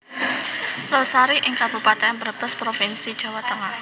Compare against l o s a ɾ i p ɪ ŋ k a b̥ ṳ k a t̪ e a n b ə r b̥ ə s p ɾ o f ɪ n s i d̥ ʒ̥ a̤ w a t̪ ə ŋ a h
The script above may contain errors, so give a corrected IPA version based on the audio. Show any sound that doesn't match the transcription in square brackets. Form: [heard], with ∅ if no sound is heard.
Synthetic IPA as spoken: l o s a ɾ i [ʔ] ɪ ŋ k a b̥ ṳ [p] a t̪ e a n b ə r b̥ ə s p ɾ o f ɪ n s i d̥ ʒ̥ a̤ w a t̪ ə ŋ a h